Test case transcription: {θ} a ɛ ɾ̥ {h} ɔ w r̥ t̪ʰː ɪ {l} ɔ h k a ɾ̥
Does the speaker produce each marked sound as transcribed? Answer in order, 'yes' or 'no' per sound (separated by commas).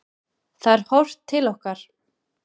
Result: yes, yes, yes